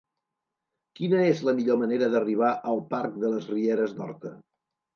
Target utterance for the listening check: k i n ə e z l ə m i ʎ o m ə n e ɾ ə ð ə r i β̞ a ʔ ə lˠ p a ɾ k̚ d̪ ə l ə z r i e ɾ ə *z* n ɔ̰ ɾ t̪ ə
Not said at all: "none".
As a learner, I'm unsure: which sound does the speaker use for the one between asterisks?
z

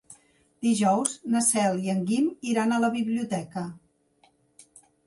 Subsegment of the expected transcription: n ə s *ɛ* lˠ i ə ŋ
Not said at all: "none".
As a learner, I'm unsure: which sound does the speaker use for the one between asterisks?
ɛ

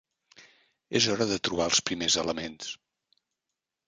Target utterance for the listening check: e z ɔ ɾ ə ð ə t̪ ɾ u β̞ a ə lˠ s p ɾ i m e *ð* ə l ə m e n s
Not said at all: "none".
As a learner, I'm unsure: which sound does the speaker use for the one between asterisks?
z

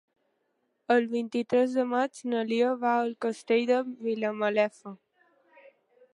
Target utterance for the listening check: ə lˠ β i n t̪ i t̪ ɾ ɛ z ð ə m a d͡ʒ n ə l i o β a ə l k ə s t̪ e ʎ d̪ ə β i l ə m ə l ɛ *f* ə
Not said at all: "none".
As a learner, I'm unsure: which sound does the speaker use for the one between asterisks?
f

